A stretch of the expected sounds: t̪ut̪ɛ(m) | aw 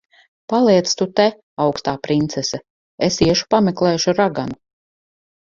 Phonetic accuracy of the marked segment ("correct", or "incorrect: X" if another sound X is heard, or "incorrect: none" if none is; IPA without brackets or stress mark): incorrect: none